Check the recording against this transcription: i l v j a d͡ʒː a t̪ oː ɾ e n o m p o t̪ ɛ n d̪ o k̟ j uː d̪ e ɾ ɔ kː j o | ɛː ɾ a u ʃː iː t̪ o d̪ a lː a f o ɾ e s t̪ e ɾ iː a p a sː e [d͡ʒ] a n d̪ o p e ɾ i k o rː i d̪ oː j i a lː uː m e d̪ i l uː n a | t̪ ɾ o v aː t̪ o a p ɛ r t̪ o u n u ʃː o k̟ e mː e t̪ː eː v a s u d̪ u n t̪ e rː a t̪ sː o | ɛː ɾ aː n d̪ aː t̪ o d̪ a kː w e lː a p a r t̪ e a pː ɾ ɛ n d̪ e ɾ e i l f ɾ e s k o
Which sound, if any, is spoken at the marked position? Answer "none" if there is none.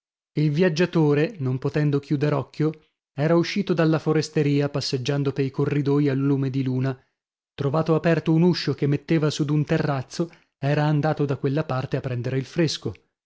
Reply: d͡ʒː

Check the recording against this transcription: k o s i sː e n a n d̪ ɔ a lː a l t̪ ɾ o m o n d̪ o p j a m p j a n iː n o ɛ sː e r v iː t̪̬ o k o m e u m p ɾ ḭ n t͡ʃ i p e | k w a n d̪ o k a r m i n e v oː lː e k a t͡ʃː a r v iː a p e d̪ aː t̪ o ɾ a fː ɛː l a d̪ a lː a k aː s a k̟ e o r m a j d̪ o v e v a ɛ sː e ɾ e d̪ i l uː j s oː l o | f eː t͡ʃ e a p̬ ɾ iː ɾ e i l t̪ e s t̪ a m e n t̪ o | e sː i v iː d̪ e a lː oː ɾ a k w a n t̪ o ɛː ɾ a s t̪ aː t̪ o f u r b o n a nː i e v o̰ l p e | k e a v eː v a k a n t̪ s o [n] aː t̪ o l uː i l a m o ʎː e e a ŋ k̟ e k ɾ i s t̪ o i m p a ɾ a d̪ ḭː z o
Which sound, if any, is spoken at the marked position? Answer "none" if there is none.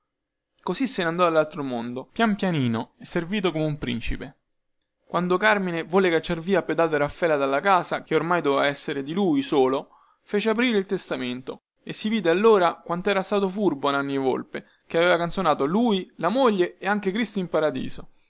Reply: n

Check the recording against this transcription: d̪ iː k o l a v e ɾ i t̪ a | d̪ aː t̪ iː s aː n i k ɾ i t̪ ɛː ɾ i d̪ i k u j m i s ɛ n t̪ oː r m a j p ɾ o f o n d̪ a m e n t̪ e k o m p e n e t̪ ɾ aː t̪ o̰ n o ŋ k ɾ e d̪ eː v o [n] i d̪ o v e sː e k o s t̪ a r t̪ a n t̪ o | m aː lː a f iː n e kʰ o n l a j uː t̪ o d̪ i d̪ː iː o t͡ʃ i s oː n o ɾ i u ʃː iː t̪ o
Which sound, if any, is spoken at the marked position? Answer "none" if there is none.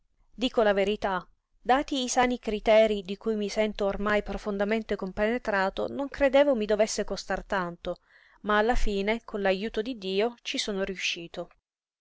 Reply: m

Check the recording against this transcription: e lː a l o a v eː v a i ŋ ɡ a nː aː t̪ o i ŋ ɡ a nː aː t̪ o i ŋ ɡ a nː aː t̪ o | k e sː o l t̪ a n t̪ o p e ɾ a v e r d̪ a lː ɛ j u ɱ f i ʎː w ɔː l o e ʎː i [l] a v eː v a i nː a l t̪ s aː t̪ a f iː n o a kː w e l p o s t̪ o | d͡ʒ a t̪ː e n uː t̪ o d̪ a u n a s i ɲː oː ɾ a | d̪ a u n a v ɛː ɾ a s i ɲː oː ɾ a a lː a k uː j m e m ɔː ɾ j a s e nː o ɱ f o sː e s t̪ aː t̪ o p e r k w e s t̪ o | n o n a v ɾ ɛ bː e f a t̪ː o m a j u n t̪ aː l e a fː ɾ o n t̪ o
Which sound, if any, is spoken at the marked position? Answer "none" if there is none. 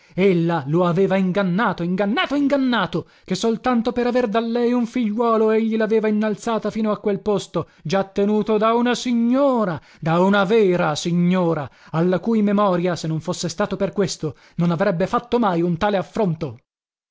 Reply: l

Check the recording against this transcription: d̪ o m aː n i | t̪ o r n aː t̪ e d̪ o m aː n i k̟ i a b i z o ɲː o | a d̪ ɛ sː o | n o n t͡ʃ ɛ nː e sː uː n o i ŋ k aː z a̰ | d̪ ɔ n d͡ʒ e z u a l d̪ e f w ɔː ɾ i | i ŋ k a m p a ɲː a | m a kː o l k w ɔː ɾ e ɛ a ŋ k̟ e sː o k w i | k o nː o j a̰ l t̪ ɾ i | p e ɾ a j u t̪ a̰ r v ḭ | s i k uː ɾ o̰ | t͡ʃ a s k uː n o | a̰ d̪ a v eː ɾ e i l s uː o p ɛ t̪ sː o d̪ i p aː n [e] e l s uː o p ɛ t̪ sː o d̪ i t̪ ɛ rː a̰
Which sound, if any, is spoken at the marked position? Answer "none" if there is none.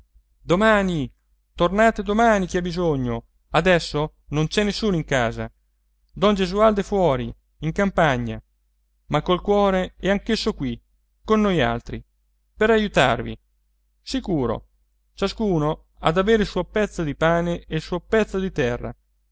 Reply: e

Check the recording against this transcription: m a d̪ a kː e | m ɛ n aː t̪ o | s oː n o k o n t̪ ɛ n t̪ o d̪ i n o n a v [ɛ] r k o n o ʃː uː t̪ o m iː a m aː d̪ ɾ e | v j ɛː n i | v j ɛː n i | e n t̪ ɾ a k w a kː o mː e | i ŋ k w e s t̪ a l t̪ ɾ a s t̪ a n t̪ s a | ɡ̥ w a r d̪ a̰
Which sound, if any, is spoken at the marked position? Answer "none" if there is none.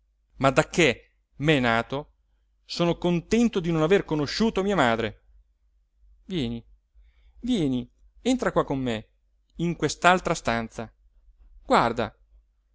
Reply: e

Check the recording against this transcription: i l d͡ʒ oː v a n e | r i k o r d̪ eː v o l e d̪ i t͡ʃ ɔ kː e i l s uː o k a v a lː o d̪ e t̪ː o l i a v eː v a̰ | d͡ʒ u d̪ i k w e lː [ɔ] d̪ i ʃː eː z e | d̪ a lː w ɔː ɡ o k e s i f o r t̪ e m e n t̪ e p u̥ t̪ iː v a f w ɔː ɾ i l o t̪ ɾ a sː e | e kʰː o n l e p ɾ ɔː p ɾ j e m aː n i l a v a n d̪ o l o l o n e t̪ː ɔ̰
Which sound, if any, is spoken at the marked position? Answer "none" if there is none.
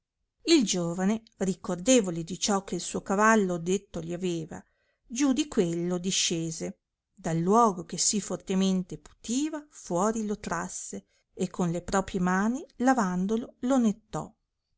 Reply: o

